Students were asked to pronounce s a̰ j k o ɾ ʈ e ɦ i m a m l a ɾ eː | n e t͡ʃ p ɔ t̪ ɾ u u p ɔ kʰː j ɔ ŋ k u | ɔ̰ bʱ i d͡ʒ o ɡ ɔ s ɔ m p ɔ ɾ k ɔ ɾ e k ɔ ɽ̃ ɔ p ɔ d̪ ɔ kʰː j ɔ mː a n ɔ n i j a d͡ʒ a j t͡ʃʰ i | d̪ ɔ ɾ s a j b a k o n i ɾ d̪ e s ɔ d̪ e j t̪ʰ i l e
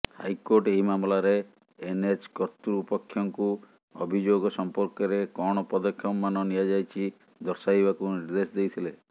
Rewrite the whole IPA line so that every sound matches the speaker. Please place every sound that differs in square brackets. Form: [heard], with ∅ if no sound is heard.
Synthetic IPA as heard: [h] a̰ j k o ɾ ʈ e ɦ i m a m l a ɾ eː | n e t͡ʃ [k] ɔ t̪ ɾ u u p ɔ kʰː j ɔ ŋ k u | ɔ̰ bʱ i d͡ʒ o ɡ ɔ s ɔ m p ɔ ɾ k ɔ ɾ e k ɔ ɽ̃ ɔ p ɔ d̪ ɔ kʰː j ɔ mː a n ɔ n i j a d͡ʒ a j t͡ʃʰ i | d̪ ɔ ɾ s a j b a k [u] n i ɾ d̪ e s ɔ d̪ e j t̪ʰ i l e